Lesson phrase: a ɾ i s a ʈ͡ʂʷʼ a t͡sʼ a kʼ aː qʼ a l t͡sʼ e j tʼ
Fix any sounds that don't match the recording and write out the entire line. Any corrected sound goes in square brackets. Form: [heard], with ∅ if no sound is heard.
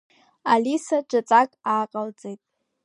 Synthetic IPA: a [l] i s a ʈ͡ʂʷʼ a t͡sʼ a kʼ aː qʼ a l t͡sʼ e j tʼ

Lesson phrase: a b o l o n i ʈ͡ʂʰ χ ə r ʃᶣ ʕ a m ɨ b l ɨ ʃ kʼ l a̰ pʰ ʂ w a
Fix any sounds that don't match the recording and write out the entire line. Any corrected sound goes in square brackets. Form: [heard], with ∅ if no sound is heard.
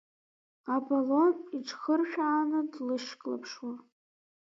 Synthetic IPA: a b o l o n i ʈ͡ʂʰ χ ə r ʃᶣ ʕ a [n] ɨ [d] l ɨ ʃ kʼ l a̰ pʰ ʂ w a

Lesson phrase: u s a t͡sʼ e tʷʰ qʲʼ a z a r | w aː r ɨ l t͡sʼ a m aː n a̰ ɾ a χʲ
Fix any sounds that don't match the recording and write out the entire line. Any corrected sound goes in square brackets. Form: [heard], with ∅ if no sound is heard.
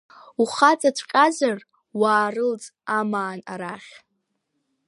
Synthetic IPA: u [χ] a t͡sʼ [a] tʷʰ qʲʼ a z a r | w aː r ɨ l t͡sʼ a m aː n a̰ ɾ a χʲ

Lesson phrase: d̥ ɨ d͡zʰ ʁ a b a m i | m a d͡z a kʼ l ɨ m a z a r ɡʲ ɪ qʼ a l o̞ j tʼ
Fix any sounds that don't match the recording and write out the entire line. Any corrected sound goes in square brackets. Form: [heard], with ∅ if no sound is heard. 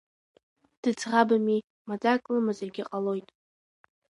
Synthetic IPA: d̥ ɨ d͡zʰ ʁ a b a m i | m a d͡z a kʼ l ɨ m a z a r ɡʲ ɪ qʼ a l o̞ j tʼ

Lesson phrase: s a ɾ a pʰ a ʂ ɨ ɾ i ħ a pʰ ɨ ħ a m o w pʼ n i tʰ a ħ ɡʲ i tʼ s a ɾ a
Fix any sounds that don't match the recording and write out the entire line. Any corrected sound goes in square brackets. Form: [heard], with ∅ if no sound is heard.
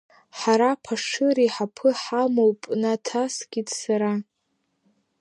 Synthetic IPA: [ħ] a ɾ a pʰ a ʂ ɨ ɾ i ħ a pʰ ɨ ħ a m o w pʼ n [a] tʰ a [s] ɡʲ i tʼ s a ɾ a

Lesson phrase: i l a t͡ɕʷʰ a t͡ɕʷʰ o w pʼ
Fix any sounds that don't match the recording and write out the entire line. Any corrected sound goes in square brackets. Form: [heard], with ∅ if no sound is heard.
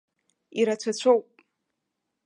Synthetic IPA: i [ɾ] a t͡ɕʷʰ a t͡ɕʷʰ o w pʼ

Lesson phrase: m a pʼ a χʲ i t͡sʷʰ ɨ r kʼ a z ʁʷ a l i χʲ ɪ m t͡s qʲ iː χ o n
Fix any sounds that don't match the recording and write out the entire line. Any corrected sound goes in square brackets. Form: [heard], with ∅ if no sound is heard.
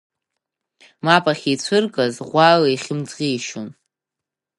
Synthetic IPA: m a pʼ a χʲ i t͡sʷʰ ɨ r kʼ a z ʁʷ a l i χʲ ɪ m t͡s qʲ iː [ʃ] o n

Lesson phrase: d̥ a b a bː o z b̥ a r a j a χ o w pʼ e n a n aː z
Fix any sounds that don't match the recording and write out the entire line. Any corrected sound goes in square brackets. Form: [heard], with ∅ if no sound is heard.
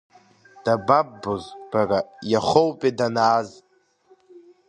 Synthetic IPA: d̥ a b a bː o z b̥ a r a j a χ o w pʼ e [d] a n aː z

